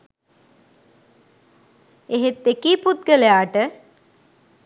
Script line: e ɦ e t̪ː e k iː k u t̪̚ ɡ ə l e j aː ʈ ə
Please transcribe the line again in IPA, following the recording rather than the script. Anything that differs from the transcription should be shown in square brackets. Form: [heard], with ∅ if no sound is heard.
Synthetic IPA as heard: e ɦ e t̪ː e k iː [p] u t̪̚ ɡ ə l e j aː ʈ ə